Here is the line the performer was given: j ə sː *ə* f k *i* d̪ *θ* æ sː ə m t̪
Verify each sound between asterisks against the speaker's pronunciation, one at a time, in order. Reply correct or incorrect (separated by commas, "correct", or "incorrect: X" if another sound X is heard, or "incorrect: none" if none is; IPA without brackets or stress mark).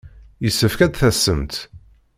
correct, incorrect: æ, correct